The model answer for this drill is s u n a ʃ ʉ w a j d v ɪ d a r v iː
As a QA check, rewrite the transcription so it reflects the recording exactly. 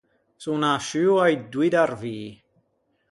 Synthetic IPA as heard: s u n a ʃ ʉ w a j d w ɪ d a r v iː